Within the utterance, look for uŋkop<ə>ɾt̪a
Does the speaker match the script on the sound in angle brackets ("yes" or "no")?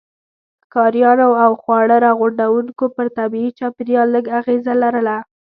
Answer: yes